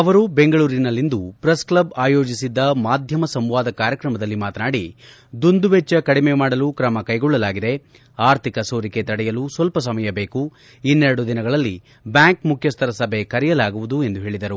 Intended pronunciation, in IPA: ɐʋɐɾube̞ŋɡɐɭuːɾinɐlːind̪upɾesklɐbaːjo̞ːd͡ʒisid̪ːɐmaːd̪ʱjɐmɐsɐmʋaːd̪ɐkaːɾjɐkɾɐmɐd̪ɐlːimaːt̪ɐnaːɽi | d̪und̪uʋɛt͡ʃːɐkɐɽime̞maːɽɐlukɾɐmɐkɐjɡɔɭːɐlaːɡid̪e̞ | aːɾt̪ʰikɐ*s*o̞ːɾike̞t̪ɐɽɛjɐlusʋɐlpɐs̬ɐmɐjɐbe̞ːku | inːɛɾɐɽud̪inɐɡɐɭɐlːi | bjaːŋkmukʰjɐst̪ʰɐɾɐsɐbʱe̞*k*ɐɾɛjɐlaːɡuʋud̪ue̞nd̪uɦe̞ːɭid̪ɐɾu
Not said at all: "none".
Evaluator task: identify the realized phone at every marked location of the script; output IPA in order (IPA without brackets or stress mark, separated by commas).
s, k